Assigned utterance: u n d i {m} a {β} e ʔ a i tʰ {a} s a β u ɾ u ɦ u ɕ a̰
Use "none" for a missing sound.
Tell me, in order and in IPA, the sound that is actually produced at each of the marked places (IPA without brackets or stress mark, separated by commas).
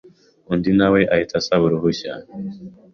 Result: n, w, a